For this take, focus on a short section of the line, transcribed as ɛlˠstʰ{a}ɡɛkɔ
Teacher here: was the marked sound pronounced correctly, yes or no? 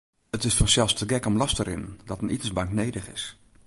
no